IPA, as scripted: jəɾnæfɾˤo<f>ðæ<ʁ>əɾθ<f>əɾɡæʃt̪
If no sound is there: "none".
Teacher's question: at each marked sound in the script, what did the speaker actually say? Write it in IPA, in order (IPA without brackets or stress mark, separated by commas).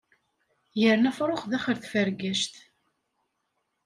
χ, χ, f